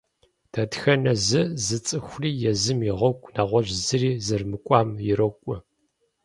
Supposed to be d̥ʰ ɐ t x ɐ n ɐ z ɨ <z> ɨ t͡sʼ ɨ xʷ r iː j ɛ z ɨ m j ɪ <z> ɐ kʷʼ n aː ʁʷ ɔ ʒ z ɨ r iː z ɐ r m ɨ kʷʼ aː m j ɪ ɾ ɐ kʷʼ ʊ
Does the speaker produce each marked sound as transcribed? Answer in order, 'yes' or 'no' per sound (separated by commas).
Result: yes, no